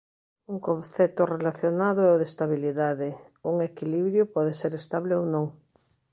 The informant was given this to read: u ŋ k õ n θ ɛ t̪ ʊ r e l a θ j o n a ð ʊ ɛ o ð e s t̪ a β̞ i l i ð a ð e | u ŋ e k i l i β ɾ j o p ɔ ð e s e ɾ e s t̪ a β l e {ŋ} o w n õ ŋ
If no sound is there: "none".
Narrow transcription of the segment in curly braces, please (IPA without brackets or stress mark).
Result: none